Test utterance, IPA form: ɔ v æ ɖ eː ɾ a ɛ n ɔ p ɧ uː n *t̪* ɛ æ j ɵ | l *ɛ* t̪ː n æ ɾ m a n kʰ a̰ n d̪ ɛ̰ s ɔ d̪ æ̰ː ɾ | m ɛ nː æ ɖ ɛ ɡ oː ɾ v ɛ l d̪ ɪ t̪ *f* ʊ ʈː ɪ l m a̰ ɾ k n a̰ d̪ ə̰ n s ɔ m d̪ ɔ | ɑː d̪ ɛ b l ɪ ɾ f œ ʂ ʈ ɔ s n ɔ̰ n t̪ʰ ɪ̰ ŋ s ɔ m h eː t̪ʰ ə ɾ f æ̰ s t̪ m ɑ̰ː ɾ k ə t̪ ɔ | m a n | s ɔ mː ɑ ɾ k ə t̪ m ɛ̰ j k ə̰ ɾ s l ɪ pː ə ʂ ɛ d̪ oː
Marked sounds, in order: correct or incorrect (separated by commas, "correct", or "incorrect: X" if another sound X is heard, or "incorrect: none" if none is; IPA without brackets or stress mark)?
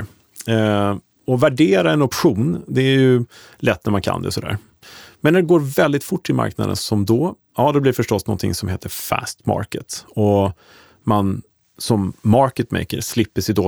incorrect: d̪, correct, correct